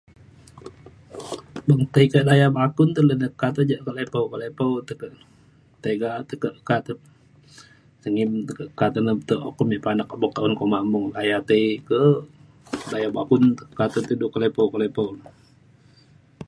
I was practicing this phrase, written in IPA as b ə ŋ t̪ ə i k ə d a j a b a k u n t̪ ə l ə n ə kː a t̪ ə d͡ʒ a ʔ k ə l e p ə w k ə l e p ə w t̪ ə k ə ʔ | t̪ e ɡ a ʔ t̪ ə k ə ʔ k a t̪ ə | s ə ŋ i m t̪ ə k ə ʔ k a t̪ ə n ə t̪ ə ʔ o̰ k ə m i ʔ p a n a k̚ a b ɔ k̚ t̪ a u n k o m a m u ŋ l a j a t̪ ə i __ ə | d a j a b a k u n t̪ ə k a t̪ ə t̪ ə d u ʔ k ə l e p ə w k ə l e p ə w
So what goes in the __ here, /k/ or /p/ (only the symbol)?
k